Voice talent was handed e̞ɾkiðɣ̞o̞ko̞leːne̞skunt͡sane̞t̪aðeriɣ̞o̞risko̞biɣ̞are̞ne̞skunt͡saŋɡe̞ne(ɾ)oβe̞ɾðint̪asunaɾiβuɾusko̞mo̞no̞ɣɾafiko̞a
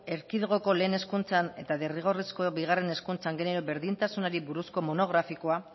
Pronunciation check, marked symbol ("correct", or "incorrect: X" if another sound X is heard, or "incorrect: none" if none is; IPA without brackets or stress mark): correct